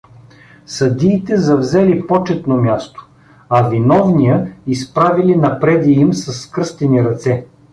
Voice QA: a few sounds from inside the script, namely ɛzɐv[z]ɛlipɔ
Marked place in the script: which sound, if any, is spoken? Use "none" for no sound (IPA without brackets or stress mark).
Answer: z